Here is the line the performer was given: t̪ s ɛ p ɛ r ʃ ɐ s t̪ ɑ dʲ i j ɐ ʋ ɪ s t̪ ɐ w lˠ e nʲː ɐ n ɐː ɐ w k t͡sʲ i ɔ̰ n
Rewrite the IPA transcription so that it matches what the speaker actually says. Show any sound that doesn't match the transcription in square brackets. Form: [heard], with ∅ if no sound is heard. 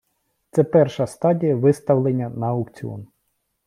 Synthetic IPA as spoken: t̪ s ɛ p ɛ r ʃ ɐ s t̪ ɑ dʲ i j ɐ ʋ ɪ s t̪ ɐ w lˠ e nʲː ɐ n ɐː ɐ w k t͡sʲ i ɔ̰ n